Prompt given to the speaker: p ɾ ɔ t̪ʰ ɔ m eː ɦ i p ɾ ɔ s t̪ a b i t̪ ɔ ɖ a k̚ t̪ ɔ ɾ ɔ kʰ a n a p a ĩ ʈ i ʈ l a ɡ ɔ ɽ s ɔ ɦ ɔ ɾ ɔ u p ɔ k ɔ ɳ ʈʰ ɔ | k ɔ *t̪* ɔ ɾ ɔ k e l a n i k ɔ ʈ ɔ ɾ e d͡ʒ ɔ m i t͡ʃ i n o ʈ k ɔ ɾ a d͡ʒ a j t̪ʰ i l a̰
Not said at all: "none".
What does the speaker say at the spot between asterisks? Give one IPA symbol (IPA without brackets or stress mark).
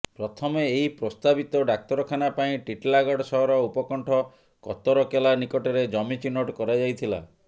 t̪